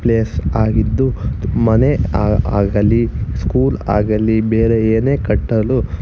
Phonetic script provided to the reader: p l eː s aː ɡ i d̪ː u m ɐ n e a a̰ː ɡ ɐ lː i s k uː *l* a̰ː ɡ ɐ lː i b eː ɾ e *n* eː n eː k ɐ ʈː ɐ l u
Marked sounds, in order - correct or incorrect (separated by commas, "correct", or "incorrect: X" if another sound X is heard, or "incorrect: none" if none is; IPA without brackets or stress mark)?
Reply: correct, incorrect: none